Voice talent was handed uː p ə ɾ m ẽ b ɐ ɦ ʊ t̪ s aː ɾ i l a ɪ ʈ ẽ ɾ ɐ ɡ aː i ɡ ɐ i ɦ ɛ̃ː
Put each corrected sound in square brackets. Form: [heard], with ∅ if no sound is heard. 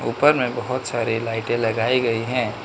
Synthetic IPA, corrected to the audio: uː p ə ɾ m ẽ b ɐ ɦ ʊ t̪ s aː ɾ i l a ɪ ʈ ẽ [l] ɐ ɡ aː i ɡ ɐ i ɦ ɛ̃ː